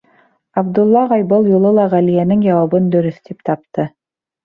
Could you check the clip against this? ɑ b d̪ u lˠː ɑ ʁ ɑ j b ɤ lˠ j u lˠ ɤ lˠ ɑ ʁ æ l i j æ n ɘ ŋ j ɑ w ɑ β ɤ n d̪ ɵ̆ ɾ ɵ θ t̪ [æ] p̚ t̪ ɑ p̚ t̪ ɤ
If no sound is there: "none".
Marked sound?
i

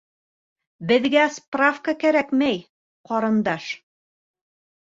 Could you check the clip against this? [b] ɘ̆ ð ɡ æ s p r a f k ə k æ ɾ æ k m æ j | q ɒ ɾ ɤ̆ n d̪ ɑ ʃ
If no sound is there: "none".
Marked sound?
b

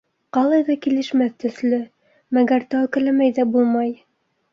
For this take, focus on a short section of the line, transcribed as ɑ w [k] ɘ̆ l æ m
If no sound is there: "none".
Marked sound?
k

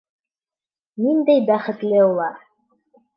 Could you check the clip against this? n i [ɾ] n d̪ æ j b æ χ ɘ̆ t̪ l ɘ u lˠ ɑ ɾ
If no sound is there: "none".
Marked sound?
none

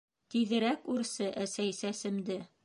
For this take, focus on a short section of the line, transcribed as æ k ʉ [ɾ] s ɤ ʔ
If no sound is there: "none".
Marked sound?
ɾ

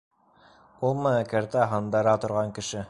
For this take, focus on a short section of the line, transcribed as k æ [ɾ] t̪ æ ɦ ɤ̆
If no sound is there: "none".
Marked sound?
ɾ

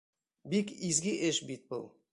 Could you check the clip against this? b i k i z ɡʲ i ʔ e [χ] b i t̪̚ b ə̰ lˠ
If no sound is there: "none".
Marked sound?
ʃ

